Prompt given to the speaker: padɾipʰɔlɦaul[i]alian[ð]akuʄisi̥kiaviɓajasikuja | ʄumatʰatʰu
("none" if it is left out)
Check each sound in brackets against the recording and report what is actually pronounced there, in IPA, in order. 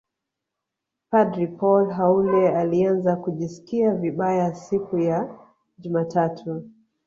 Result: ɛ, z

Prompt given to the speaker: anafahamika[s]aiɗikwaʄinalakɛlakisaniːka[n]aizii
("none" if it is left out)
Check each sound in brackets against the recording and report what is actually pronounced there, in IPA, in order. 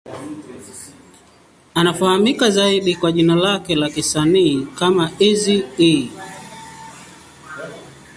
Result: z, m

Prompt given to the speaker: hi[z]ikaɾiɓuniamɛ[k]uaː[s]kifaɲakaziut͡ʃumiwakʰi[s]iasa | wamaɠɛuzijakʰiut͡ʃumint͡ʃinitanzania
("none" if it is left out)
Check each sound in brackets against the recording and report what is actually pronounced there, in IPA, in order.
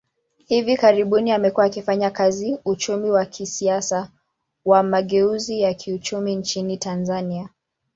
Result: v, k, none, s

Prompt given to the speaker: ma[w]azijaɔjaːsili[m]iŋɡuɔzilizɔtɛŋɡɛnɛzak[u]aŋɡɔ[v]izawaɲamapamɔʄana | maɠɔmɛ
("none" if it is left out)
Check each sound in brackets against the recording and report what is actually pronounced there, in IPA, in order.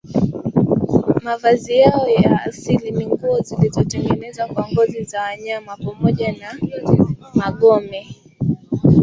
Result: v, m, w, z

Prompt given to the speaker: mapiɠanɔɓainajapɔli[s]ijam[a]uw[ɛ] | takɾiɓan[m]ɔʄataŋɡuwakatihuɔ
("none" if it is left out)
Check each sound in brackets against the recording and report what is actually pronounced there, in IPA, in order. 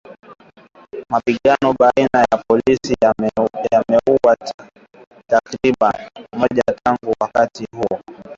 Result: s, ɛ, a, m

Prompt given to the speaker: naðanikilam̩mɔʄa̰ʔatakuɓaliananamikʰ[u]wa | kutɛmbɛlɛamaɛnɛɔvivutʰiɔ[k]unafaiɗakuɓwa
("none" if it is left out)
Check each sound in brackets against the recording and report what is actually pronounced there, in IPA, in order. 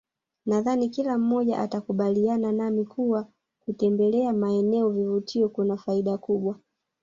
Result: u, k

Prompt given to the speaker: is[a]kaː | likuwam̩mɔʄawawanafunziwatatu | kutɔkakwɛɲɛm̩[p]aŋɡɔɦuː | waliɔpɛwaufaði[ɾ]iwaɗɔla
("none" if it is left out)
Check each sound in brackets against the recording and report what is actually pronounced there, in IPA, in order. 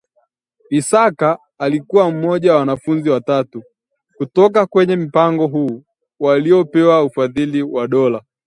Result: a, p, l

